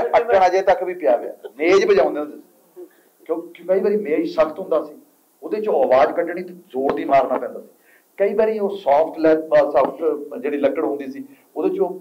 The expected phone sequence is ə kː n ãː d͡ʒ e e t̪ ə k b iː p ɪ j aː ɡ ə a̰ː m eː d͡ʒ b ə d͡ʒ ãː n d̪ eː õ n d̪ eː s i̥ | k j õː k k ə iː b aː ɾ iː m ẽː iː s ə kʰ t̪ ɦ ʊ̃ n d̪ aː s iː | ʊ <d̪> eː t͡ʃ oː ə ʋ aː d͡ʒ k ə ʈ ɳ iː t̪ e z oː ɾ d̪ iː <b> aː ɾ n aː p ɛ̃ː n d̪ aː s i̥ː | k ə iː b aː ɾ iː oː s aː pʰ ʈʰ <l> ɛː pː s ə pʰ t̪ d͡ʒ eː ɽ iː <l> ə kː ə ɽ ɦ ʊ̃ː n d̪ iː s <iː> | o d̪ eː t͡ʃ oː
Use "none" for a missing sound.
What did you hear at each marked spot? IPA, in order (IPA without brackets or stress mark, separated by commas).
d̪, m, l, l, iː